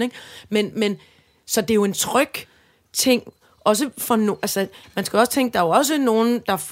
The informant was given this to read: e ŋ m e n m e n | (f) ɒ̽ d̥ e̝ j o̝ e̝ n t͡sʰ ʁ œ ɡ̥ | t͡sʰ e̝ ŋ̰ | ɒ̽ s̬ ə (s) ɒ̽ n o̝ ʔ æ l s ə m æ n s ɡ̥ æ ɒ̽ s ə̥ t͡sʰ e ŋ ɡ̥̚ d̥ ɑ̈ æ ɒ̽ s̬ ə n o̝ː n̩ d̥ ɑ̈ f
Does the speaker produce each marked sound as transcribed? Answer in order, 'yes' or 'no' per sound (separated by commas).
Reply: no, no